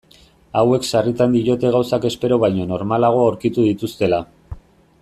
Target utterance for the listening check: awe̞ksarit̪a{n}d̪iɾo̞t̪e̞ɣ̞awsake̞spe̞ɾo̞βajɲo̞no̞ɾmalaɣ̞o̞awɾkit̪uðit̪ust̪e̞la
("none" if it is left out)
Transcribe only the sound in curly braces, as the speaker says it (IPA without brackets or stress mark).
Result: n